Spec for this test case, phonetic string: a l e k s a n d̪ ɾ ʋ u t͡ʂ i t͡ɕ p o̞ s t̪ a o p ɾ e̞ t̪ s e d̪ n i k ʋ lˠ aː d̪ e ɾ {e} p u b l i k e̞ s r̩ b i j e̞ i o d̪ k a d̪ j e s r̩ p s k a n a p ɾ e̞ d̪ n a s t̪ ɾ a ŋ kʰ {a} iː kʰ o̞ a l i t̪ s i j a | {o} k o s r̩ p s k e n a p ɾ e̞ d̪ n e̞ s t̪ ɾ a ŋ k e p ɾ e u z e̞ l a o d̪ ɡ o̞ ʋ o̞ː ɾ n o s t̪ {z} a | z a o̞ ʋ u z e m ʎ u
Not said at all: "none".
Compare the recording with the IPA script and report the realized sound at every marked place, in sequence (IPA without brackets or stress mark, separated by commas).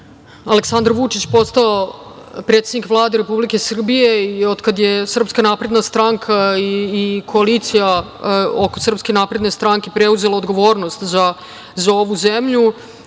e, a, o, z